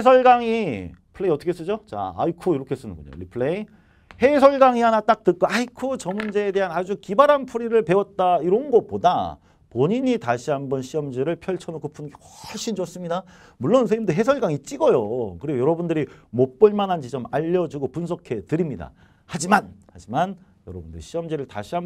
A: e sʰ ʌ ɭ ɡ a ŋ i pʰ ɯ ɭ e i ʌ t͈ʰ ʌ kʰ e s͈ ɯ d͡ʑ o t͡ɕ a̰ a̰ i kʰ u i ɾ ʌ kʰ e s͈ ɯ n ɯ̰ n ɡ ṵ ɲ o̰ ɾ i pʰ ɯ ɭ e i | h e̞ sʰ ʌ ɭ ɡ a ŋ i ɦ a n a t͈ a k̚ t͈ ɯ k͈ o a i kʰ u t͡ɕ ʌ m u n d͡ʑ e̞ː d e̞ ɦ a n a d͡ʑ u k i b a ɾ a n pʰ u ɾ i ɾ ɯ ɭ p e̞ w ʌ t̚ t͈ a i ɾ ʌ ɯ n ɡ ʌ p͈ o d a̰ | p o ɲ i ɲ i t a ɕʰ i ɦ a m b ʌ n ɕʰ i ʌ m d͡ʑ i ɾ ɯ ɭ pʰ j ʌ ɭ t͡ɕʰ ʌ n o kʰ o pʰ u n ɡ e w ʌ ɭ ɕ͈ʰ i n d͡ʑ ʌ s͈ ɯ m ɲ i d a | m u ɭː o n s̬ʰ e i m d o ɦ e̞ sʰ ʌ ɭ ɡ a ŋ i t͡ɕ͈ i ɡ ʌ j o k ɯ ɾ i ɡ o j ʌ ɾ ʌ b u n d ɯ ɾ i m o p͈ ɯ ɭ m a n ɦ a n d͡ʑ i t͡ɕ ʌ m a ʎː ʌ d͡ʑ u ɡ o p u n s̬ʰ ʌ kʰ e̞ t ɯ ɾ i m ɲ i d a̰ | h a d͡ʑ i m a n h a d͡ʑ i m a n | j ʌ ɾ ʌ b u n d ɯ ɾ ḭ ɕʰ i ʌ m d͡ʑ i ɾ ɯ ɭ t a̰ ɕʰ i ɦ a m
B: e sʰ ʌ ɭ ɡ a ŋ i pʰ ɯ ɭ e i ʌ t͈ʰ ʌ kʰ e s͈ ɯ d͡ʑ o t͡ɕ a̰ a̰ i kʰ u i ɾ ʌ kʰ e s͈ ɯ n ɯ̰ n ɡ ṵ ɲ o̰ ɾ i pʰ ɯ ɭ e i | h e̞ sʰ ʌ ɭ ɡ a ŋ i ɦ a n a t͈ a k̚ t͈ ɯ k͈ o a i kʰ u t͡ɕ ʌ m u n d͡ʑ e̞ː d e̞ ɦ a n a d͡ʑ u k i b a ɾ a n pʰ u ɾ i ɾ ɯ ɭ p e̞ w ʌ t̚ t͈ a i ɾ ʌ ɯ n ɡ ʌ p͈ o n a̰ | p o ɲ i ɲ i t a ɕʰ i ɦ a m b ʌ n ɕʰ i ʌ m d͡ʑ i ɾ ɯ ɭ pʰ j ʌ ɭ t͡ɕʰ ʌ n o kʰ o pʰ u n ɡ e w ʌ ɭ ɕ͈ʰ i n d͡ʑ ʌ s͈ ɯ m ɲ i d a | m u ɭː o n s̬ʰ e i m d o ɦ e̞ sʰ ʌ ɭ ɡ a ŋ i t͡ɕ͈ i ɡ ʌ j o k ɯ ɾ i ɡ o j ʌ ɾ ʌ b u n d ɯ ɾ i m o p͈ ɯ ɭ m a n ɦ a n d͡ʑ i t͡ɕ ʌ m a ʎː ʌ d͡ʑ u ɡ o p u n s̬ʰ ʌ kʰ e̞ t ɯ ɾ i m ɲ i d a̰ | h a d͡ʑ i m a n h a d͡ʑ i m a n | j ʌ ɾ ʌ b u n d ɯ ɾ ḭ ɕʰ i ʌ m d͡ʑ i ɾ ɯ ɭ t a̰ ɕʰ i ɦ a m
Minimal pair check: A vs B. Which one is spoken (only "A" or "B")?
A